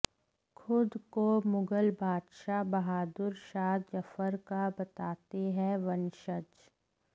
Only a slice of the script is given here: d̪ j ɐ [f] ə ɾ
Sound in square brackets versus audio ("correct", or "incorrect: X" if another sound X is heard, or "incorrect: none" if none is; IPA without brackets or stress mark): correct